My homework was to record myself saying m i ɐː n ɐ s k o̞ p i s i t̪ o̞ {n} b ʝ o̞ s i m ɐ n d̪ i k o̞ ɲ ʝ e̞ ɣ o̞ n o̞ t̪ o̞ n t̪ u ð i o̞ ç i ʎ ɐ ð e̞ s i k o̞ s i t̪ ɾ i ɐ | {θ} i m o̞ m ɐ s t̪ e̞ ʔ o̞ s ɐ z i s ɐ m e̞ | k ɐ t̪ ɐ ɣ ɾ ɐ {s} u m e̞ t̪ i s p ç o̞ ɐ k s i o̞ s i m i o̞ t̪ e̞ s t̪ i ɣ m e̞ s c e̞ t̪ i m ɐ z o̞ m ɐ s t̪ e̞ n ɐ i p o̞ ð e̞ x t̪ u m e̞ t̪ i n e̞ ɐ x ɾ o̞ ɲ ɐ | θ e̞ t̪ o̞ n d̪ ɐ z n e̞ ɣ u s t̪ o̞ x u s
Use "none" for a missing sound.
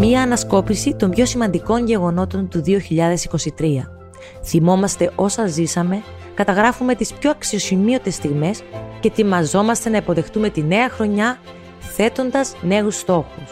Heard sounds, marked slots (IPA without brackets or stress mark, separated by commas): m, θ, f